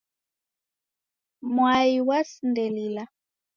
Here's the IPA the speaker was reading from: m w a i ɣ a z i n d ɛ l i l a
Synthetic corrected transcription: m w a i w a s i n d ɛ l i l a

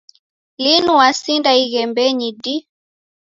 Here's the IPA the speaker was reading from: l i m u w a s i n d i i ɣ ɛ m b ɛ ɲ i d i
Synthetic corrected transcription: l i n u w a s i n d a i ɣ ɛ m b ɛ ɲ i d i

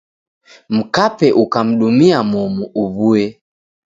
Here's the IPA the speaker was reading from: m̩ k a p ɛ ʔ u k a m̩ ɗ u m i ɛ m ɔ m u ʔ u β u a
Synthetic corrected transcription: m̩ k a p ɛ ʔ u k a m̩ ɗ u m i a m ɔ m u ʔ u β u ɛ

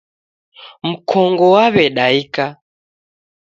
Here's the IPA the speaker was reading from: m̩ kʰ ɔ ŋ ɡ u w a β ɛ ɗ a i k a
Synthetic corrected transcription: m̩ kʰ ɔ ŋ ɡ ɔ w a β ɛ ɗ a i k a

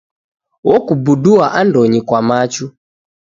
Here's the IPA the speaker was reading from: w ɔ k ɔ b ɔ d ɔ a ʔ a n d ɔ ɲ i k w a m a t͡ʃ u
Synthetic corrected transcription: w ɔ k u b u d u a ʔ a n d ɔ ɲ i k w a m a t͡ʃ u

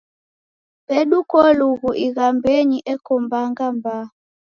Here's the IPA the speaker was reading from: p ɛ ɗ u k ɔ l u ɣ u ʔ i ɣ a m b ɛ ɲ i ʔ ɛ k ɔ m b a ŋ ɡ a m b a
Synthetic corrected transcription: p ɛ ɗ u k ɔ l u ɣ u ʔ i ɣ a m b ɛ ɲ i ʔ ɛ k ɔ m b a ŋ ɡ a m b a

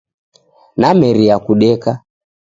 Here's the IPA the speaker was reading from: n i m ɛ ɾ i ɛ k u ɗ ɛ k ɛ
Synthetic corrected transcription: n a m ɛ ɾ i a k u ɗ ɛ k a

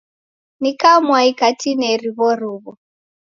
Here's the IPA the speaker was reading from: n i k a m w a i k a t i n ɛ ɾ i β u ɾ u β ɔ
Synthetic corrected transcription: n i k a m w a i k a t i n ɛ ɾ i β ɔ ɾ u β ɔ

